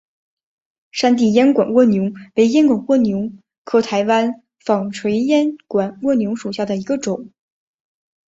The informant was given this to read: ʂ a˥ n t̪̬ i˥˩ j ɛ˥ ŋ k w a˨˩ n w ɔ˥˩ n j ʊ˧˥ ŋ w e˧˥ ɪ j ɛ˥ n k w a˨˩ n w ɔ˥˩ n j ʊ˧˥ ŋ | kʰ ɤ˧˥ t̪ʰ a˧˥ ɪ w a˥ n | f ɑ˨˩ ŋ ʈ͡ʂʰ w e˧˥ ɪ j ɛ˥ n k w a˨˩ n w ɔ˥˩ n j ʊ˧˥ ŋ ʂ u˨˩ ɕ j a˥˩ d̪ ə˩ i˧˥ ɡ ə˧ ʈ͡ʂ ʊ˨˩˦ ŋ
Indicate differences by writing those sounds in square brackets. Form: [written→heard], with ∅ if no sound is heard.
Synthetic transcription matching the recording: ʂ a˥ n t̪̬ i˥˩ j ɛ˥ [ŋ→n] k w a˨˩ n w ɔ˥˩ n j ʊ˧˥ ŋ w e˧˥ ɪ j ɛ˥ n k w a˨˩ n w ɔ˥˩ n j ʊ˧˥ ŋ | kʰ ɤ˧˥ t̪ʰ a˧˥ ɪ w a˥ n | f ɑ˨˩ ŋ ʈ͡ʂʰ w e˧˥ ɪ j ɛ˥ n k w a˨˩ n w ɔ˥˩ n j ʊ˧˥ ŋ ʂ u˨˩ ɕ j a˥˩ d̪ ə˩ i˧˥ ɡ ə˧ ʈ͡ʂ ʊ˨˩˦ ŋ